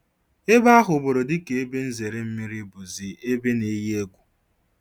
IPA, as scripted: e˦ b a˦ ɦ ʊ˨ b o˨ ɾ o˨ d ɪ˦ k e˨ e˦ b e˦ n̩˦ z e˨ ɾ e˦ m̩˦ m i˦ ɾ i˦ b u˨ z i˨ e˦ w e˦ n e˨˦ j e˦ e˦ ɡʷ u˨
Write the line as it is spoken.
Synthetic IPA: e˦ b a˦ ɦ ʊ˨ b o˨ ɾ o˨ d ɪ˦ k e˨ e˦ b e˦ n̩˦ z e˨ ɾ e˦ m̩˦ m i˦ ɾ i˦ b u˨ z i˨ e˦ b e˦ n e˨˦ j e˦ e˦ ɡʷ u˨